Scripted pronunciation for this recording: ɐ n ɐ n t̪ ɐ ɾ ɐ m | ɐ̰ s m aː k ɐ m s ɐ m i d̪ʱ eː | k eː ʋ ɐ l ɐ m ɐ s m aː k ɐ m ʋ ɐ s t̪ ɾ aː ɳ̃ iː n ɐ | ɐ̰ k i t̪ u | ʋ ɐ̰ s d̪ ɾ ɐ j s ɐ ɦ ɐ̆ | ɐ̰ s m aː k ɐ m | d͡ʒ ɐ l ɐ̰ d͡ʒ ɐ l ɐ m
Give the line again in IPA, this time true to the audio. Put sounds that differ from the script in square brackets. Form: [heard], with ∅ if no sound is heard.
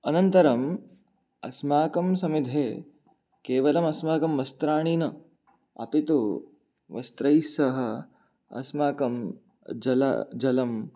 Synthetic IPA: ɐ n ɐ n t̪ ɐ ɾ ɐ m | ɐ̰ s m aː k ɐ m s ɐ m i d̪ʱ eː | k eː ʋ ɐ l ɐ m ɐ s m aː k ɐ m ʋ ɐ s t̪ ɾ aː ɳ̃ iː n ɐ | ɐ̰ [p] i t̪ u | ʋ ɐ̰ s [t̪] ɾ ɐ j s ɐ ɦ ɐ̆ | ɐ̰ s m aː k ɐ m | d͡ʒ ɐ l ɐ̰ d͡ʒ ɐ l ɐ m

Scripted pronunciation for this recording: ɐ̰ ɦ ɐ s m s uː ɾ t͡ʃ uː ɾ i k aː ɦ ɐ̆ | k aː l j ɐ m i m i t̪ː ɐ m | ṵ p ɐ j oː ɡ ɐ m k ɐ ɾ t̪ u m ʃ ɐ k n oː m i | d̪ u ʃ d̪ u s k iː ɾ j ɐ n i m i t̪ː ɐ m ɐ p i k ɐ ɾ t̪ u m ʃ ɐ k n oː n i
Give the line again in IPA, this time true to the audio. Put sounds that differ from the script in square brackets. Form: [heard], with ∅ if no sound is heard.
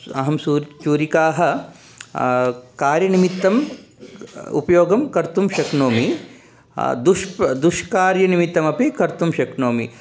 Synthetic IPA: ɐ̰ ɦ ɐ [∅] m s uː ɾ t͡ʃ uː ɾ i k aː ɦ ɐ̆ | k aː [ɾ] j ɐ [n] i m i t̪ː ɐ m | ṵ p ɐ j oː ɡ ɐ m k ɐ ɾ t̪ u m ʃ ɐ k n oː m i | d̪ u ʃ d̪ u [ʃ] k [aː] ɾ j ɐ n i m i t̪ː ɐ m ɐ p i k ɐ ɾ t̪ u m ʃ ɐ k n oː [m] i

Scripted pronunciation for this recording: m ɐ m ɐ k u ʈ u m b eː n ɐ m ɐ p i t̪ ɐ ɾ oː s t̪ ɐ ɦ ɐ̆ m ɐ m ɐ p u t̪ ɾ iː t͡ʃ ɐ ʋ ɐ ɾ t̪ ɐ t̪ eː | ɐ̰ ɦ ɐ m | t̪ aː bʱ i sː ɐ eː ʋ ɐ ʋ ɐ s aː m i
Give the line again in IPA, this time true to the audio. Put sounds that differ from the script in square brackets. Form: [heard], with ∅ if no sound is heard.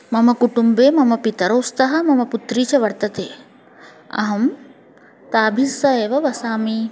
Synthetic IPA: m ɐ m ɐ k u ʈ u m b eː [m] ɐ m ɐ p i t̪ ɐ ɾ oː s t̪ ɐ ɦ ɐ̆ m ɐ m ɐ p u t̪ ɾ iː t͡ʃ ɐ ʋ ɐ ɾ t̪ ɐ t̪ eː | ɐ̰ ɦ ɐ m | t̪ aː bʱ i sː ɐ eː ʋ ɐ ʋ ɐ s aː m i

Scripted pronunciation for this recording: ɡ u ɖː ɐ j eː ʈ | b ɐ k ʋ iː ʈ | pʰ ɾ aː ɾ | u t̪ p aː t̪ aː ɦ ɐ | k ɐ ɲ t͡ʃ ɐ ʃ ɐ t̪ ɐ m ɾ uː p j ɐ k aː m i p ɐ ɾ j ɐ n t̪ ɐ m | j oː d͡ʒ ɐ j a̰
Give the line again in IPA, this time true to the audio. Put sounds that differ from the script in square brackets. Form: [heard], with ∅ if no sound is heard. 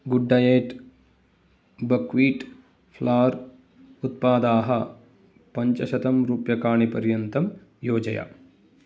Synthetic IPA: ɡ u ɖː ɐ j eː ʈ | b ɐ k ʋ iː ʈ | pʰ [l] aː ɾ | u t̪ p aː [d̪] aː ɦ ɐ | [p] ɐ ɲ t͡ʃ ɐ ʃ ɐ t̪ ɐ m ɾ uː p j ɐ k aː [ɳ] i p ɐ ɾ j ɐ n t̪ ɐ m | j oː d͡ʒ ɐ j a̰

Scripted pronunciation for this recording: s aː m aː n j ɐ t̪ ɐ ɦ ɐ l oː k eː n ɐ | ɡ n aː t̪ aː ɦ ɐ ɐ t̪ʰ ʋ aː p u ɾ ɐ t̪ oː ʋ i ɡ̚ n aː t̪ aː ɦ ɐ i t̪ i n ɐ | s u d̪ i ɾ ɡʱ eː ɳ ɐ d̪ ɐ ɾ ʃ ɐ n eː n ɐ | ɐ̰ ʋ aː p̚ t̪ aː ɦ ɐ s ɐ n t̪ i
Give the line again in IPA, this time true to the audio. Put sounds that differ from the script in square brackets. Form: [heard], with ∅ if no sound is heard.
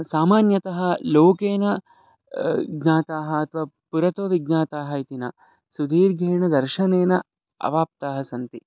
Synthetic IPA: s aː m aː n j ɐ t̪ ɐ ɦ ɐ l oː k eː n ɐ | ɡ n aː t̪ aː ɦ ɐ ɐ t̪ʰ ʋ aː p u ɾ ɐ t̪ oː ʋ i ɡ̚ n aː t̪ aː ɦ ɐ i t̪ i n ɐ | s u d̪ [iː] ɾ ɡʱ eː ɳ ɐ d̪ ɐ ɾ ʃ ɐ n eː n ɐ | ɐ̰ ʋ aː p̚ t̪ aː ɦ ɐ s ɐ n t̪ i

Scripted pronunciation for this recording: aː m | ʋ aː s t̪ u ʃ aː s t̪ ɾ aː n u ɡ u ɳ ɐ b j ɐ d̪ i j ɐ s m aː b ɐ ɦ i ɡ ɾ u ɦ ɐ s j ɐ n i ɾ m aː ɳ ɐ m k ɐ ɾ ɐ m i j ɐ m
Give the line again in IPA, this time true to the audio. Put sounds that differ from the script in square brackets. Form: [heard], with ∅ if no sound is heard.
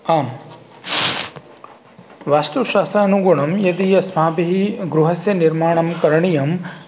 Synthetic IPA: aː m | ʋ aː s t̪ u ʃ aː s t̪ ɾ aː n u ɡ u ɳ ɐ [m] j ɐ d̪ i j ɐ s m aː b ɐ ɦ i ɡ ɾ u ɦ ɐ s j ɐ n i ɾ m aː ɳ ɐ m k ɐ ɾ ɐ [ɳ] i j ɐ m

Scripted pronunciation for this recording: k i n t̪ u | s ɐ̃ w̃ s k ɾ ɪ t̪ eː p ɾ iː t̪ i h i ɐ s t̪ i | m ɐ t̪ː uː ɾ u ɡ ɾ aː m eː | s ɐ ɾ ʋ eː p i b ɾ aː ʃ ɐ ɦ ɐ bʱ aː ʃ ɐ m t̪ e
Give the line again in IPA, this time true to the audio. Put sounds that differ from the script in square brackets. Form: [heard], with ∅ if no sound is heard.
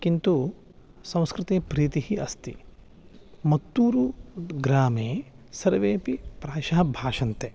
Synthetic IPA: k i n t̪ u | s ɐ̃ w̃ s k ɾ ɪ t̪ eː p ɾ iː t̪ i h i ɐ s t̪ i | m ɐ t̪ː uː ɾ u ɡ ɾ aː m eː | s ɐ ɾ ʋ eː p i [p] ɾ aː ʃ ɐ ɦ ɐ bʱ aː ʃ ɐ [n] t̪ e

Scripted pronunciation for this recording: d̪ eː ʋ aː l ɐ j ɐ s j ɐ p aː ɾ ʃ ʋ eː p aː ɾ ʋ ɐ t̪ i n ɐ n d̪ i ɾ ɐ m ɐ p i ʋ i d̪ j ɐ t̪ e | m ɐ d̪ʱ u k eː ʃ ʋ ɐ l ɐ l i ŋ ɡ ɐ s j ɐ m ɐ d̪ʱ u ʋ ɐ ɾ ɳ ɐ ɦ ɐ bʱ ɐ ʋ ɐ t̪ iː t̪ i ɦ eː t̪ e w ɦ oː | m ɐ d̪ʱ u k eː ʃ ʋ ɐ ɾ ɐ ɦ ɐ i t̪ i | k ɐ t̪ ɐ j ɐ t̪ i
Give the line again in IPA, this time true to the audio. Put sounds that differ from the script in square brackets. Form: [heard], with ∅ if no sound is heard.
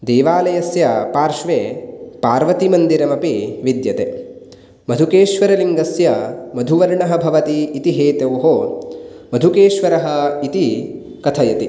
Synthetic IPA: d̪ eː ʋ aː l ɐ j ɐ s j ɐ p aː ɾ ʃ ʋ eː p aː ɾ ʋ ɐ t̪ i [m] ɐ n d̪ i ɾ ɐ m ɐ p i ʋ i d̪ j ɐ t̪ e | m ɐ d̪ʱ u k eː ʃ ʋ ɐ [ɾ] ɐ l i ŋ ɡ ɐ s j ɐ m ɐ d̪ʱ u ʋ ɐ ɾ ɳ ɐ ɦ ɐ bʱ ɐ ʋ ɐ t̪ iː t̪ i ɦ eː t̪ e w ɦ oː | m ɐ d̪ʱ u k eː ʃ ʋ ɐ ɾ ɐ ɦ ɐ i t̪ i | k ɐ [t̪ʰ] ɐ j ɐ t̪ i

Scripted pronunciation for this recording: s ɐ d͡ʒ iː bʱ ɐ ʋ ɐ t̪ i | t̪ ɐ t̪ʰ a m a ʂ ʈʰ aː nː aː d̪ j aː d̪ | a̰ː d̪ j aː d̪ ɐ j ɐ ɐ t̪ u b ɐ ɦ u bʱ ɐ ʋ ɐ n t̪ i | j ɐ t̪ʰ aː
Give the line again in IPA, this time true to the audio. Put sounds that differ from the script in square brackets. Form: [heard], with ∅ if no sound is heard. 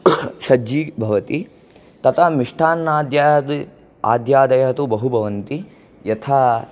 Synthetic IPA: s ɐ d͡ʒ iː bʱ ɐ ʋ ɐ t̪ i | t̪ ɐ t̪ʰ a m [i] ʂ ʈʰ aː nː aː d̪ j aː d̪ | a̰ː d̪ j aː d̪ ɐ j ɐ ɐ t̪ u b ɐ ɦ u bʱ ɐ ʋ ɐ n t̪ i | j ɐ t̪ʰ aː

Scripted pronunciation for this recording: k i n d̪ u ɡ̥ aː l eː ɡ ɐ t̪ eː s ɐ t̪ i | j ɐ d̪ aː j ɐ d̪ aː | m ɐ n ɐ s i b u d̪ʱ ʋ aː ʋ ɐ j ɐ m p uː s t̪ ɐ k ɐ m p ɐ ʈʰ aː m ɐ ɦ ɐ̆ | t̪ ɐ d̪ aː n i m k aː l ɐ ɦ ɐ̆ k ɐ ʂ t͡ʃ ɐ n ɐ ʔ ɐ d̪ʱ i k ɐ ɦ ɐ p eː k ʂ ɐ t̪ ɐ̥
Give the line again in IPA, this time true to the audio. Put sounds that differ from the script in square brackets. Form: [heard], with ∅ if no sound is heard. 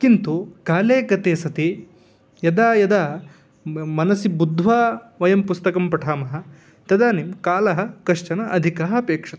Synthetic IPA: k i n [t̪] u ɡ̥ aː l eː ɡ ɐ t̪ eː s ɐ t̪ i | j ɐ d̪ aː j ɐ d̪ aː | m ɐ n ɐ s i b u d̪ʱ ʋ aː ʋ ɐ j ɐ m p [u] s t̪ ɐ k ɐ m p ɐ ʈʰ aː m ɐ ɦ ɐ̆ | t̪ ɐ d̪ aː n i m k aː l ɐ ɦ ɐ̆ k ɐ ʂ t͡ʃ ɐ n ɐ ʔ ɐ d̪ʱ i k ɐ ɦ ɐ p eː k ʂ ɐ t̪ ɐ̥

